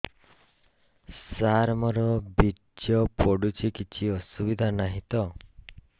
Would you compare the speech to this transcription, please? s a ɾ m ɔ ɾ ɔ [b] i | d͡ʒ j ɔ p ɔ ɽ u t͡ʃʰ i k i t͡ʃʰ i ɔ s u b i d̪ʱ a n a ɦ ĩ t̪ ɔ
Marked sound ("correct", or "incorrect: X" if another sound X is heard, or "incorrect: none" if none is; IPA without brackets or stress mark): correct